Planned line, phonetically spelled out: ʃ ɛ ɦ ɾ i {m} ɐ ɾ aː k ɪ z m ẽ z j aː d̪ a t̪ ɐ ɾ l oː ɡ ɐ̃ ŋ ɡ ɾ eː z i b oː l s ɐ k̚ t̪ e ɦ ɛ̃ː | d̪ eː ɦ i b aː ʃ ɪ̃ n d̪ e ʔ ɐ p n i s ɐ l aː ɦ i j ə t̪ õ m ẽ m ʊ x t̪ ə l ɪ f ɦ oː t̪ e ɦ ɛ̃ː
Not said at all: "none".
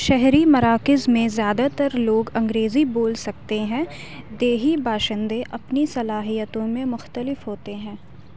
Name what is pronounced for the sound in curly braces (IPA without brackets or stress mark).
m